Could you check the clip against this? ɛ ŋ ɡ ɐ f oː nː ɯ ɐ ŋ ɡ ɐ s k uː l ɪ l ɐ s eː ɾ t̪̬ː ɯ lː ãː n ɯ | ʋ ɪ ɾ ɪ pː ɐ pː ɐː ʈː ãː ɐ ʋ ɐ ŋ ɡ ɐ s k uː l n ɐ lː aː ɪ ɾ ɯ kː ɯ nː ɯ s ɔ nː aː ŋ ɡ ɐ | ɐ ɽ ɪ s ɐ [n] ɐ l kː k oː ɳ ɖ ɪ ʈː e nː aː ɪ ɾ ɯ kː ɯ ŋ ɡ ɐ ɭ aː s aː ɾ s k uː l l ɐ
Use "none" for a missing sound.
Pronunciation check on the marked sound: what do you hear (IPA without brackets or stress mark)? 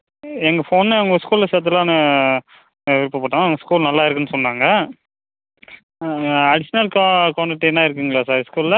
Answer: n